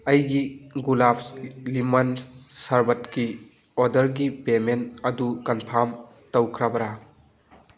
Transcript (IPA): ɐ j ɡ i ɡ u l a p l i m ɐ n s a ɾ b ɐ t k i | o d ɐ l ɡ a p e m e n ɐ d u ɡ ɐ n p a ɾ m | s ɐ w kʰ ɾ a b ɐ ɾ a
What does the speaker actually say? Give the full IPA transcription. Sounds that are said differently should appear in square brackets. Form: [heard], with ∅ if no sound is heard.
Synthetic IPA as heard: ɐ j ɡ i ɡ u l a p l i m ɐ n s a ɾ b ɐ t k i | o d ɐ [ɾ] ɡ [i] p e m e n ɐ d u [k] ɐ n [pʰ] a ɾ m | [t] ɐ w kʰ ɾ a b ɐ ɾ a